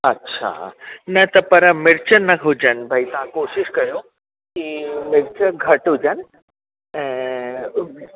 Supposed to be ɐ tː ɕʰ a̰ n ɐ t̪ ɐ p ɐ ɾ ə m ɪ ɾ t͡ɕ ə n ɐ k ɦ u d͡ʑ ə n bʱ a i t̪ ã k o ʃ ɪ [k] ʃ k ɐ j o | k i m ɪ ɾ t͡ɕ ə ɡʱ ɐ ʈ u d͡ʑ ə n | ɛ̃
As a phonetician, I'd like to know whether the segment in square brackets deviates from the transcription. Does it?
yes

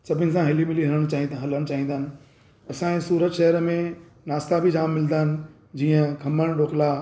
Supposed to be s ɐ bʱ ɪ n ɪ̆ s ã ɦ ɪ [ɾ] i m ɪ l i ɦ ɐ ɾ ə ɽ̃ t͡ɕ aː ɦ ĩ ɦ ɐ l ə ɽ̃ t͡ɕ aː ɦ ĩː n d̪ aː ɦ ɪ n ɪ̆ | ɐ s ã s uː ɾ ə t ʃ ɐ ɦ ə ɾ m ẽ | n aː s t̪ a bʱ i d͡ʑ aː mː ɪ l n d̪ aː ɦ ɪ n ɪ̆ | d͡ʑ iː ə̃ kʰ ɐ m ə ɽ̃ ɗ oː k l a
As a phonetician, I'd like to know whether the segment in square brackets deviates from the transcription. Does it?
yes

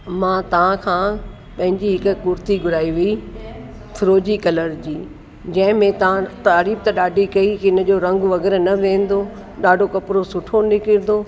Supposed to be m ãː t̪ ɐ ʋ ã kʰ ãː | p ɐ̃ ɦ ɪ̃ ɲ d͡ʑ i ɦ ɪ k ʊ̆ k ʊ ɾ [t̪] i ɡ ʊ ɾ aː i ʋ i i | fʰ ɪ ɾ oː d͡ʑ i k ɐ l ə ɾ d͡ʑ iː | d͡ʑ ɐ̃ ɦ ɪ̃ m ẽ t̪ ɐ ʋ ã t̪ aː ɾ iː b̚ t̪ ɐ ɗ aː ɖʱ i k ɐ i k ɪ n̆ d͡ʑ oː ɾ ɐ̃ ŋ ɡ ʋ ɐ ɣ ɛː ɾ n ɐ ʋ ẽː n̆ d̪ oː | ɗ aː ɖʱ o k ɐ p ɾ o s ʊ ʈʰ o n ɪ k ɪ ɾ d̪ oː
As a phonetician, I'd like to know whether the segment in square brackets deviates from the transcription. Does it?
no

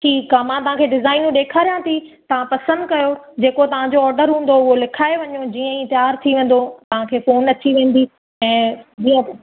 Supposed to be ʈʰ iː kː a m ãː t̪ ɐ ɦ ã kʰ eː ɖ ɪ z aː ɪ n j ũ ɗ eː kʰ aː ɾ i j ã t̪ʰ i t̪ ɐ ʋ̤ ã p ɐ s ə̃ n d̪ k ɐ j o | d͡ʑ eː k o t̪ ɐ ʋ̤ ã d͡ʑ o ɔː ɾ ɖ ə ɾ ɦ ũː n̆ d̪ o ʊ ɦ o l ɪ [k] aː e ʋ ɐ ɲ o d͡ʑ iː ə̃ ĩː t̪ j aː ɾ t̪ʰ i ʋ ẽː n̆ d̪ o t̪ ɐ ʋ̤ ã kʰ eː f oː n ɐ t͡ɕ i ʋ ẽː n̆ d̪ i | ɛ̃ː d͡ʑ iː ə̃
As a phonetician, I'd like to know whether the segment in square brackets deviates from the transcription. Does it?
yes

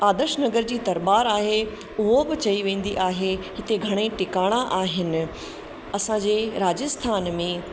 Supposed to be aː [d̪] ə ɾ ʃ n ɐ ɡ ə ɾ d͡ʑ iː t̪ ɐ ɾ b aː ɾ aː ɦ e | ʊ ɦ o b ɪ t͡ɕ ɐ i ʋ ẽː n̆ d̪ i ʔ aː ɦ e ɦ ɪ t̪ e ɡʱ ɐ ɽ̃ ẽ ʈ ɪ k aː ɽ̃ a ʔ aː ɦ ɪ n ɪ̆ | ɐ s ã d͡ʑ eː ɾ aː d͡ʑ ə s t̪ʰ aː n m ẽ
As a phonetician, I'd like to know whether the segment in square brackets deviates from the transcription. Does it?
no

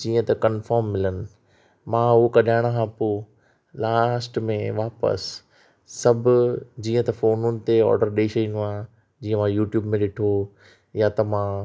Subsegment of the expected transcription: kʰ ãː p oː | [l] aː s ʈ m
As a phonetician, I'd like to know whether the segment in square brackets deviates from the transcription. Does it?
no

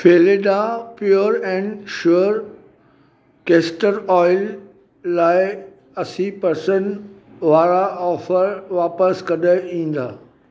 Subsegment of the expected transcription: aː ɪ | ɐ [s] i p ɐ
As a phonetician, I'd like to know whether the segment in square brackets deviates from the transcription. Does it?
no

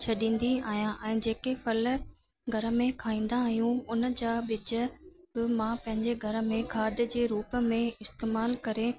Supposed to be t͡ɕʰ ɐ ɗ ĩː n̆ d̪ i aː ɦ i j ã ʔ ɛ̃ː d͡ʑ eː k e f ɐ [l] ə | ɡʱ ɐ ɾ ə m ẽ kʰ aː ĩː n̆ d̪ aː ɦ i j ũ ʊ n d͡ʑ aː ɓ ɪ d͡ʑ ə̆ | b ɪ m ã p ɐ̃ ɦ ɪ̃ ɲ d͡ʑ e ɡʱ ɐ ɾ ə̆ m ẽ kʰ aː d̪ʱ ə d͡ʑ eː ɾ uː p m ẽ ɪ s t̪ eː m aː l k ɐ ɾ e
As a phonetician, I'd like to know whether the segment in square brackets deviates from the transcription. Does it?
no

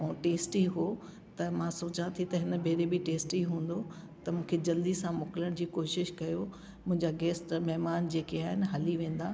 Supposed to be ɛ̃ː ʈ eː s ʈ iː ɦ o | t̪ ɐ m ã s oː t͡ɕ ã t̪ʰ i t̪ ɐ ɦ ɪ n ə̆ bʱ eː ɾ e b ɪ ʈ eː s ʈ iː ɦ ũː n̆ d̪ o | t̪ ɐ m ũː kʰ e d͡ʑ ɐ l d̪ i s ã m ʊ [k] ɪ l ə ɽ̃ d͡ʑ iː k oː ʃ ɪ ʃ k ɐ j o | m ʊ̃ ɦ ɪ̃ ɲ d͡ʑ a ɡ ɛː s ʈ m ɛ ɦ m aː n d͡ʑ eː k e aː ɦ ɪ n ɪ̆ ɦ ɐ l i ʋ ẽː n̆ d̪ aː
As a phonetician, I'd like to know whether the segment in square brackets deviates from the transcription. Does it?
no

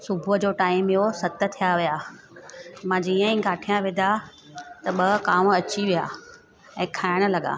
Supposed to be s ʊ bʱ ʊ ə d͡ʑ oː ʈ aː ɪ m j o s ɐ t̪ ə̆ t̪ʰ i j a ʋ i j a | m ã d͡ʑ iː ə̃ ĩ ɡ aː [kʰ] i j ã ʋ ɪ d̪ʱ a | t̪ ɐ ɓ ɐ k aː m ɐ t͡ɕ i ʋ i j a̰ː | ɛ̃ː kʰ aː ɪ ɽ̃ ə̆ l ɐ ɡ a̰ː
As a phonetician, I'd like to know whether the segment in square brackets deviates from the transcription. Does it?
yes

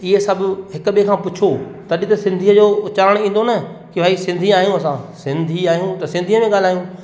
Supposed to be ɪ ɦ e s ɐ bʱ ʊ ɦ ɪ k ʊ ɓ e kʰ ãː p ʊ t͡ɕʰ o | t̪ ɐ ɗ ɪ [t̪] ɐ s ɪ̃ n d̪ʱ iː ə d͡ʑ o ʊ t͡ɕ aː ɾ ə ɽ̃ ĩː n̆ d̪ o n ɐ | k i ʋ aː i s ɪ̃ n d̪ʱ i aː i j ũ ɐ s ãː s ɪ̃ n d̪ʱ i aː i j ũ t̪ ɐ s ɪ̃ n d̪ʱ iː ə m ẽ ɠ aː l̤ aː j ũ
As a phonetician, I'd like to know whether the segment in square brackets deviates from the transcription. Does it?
no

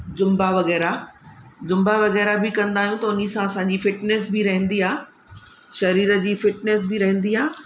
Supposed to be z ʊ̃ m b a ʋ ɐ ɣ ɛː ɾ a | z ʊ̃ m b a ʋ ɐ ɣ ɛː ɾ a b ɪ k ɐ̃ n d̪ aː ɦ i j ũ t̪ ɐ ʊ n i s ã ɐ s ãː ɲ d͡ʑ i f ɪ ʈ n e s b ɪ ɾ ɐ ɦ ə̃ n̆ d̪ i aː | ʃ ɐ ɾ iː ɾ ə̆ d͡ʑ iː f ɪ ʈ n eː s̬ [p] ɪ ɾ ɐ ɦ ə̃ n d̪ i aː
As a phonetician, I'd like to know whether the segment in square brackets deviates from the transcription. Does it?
yes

